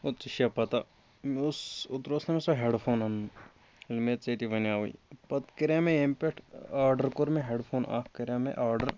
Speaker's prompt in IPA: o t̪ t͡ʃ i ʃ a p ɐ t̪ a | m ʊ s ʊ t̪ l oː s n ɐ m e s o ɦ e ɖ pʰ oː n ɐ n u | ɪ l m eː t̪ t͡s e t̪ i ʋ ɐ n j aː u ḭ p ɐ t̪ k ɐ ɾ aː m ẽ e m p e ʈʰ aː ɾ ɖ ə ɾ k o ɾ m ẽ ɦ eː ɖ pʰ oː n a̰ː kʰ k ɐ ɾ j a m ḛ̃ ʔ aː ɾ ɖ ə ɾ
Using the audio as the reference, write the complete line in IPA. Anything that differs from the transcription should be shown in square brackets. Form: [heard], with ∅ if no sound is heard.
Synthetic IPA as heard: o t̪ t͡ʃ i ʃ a p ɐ t̪ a | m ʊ s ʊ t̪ [ɾ] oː s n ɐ m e s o ɦ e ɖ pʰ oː n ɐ n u | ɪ l m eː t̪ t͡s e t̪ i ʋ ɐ n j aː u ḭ p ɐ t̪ k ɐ ɾ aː m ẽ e m p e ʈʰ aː ɾ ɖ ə ɾ k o ɾ m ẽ ɦ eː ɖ pʰ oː n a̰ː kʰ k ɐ ɾ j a m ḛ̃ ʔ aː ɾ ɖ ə ɾ